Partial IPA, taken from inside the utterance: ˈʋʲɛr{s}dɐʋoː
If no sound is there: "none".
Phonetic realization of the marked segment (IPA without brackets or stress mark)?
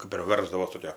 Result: z